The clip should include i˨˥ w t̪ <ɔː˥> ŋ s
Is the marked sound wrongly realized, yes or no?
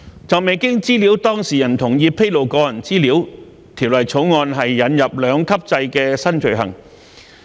no